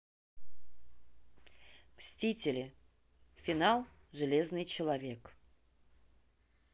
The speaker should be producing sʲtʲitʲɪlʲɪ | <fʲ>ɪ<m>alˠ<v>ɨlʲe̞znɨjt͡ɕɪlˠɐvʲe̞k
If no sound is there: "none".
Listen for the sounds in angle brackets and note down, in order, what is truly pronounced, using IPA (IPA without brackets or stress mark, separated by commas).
fʲ, n, ʐ